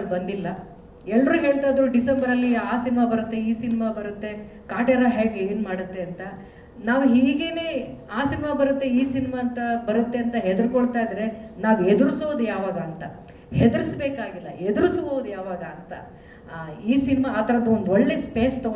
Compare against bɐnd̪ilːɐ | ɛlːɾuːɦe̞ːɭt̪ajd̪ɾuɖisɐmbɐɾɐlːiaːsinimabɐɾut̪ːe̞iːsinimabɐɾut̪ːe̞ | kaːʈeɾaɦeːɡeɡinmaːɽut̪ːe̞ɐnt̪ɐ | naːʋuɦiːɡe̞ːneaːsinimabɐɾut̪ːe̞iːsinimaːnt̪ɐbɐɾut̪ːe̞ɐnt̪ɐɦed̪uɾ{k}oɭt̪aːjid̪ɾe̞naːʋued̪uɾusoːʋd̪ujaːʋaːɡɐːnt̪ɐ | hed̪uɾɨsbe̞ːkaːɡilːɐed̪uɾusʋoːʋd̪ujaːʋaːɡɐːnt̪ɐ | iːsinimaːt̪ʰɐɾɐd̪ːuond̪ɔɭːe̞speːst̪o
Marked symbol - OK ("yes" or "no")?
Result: yes